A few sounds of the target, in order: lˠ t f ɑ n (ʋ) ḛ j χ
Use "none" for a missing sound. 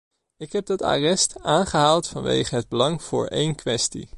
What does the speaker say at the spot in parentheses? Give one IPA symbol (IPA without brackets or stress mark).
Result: ʋ